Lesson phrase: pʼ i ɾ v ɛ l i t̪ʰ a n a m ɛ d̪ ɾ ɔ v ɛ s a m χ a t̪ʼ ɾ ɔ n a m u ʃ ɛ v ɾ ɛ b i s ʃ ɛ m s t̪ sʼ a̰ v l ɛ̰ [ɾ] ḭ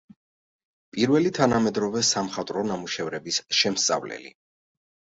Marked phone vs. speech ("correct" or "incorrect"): incorrect